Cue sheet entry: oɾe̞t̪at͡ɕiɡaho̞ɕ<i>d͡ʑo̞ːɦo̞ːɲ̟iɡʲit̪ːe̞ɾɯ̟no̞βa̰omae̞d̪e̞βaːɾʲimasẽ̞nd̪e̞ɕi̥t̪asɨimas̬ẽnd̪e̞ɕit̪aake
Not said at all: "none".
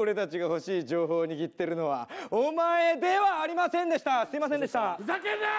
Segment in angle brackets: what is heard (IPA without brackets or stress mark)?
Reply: iː